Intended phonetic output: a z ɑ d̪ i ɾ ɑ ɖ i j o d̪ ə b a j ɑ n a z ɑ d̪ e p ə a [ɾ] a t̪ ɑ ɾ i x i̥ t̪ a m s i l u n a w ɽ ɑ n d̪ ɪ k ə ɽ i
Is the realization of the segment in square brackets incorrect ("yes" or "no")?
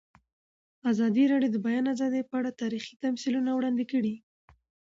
yes